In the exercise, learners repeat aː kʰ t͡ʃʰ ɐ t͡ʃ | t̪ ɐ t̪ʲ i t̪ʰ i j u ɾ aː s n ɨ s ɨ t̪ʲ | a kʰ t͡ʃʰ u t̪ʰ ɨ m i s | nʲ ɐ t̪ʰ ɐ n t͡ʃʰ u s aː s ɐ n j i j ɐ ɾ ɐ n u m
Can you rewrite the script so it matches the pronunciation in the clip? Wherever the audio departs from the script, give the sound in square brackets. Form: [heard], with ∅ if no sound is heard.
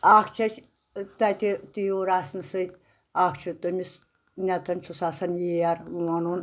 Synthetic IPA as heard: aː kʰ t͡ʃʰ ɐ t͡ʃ | t̪ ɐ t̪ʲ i [t̪] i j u ɾ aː s n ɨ s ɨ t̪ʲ | a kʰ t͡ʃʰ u [t̪] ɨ m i s | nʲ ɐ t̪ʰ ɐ n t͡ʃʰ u s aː s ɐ n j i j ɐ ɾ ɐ n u [n]

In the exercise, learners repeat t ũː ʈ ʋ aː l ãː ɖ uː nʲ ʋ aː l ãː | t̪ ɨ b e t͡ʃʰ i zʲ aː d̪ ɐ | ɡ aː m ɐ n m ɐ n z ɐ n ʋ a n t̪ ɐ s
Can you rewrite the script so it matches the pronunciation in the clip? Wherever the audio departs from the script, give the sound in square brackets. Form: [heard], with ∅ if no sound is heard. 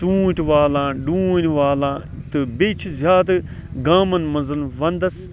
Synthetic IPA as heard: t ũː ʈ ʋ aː l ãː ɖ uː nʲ ʋ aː l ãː | t̪ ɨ b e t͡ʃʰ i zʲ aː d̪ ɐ | ɡ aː m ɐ n m ɐ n z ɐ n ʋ [ɐ] n [d̪] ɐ s

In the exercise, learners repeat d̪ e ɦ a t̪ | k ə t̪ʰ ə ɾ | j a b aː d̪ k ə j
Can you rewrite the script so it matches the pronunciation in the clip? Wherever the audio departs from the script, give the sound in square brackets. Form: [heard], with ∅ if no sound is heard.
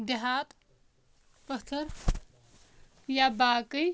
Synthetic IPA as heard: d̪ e ɦ a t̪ | [p] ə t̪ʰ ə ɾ | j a b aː [∅] k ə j

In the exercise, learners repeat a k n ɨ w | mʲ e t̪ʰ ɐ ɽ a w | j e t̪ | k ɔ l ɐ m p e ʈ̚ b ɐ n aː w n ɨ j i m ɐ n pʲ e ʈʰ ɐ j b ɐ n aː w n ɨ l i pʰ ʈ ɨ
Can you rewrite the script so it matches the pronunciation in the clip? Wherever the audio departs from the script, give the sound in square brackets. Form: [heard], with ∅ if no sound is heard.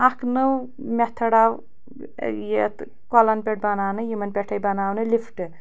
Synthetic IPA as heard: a k n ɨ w | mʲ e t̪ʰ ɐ ɽ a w | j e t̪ | k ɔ l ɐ [n] p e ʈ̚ b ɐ n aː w n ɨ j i m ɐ n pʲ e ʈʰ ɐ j b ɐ n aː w n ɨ l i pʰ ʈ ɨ

